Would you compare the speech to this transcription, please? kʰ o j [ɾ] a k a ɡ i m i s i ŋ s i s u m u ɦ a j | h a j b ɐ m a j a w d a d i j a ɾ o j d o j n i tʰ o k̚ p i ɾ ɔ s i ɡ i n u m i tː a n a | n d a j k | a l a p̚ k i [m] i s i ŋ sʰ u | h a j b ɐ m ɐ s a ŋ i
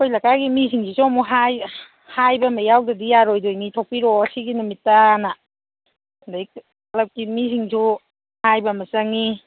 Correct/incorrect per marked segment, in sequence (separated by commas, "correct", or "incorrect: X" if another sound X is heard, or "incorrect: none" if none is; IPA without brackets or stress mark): incorrect: l, correct